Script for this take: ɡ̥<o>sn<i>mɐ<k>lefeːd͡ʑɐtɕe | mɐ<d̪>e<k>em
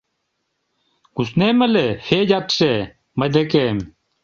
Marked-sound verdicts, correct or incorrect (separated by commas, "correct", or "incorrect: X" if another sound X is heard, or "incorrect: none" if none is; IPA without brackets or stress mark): incorrect: u, incorrect: e, incorrect: none, correct, correct